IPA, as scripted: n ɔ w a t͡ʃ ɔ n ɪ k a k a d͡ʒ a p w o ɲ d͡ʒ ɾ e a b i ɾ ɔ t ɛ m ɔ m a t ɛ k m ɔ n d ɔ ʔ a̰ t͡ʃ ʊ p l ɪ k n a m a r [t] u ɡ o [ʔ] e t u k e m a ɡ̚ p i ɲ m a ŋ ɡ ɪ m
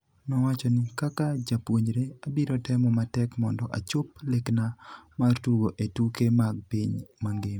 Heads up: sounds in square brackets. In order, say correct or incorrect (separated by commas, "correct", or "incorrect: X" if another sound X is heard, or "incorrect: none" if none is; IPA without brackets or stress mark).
correct, correct